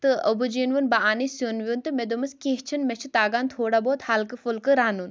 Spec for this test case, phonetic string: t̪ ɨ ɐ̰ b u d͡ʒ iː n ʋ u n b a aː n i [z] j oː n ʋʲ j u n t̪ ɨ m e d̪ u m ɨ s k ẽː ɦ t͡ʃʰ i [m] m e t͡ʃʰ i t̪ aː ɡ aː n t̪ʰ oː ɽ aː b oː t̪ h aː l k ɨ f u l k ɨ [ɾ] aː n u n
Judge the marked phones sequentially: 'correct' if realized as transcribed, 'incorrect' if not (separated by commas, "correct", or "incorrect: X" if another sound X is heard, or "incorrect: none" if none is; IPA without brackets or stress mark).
incorrect: s, incorrect: n, correct